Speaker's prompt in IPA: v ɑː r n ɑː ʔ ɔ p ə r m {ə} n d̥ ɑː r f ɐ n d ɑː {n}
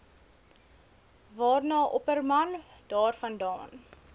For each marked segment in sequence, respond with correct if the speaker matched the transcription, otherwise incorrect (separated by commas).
incorrect, correct